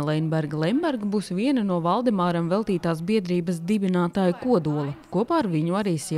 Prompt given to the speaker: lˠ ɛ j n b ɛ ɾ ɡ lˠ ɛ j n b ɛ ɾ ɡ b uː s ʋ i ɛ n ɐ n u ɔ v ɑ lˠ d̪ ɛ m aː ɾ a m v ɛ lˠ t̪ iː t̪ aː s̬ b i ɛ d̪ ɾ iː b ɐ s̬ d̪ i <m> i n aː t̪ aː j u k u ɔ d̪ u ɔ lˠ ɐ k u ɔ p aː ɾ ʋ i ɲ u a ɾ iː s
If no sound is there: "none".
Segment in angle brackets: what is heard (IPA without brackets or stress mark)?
b